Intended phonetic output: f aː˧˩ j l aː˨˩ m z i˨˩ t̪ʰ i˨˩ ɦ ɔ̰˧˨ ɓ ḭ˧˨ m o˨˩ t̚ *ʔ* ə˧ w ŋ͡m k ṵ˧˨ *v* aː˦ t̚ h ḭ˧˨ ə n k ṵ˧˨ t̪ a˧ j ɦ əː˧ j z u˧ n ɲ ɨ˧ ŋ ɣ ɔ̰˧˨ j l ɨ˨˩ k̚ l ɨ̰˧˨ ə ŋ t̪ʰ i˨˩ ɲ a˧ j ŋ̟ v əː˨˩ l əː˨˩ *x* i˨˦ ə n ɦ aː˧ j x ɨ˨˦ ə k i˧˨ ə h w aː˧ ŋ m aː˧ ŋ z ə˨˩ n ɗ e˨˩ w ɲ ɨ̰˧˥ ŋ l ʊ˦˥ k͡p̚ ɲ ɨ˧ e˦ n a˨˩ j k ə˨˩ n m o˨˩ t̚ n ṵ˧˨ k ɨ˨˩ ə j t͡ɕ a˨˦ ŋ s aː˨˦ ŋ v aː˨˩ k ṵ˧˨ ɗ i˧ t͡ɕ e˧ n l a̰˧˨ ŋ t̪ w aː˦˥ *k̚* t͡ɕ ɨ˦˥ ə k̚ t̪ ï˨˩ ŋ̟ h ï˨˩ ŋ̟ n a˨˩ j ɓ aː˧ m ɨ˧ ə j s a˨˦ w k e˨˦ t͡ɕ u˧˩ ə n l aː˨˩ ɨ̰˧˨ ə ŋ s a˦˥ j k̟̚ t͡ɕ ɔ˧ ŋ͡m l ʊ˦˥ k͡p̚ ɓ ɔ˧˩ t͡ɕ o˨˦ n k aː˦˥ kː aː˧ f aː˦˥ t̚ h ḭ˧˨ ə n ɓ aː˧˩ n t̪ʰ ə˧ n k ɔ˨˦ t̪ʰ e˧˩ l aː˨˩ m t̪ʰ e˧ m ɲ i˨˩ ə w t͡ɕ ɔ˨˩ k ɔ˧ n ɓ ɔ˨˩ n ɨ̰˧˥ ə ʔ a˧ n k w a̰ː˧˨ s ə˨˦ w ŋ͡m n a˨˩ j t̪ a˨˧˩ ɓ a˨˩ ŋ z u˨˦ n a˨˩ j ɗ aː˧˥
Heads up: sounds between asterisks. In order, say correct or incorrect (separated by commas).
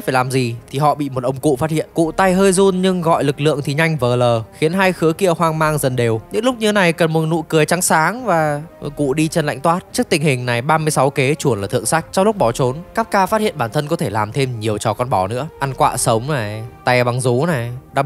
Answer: correct, incorrect, correct, incorrect